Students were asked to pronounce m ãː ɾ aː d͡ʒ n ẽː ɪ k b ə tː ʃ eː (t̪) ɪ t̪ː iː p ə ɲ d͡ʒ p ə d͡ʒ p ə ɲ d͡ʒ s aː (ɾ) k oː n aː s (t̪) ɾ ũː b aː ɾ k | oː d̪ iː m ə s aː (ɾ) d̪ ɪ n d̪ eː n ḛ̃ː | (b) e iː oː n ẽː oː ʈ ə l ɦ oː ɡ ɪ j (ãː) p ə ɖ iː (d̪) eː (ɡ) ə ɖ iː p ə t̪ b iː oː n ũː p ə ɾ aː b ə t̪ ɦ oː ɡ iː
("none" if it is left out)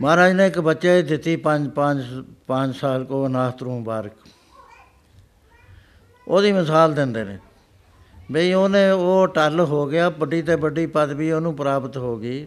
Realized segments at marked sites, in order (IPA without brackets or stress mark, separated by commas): d̪, l, t̪, l, b, aː, t̪, b